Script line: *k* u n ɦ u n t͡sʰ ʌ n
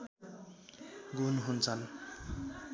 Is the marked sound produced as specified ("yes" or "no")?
no